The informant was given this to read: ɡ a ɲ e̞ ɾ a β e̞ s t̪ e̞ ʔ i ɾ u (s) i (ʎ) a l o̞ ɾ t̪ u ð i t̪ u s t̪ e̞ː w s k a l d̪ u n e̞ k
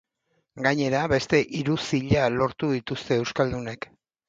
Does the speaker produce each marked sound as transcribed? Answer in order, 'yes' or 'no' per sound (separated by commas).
yes, yes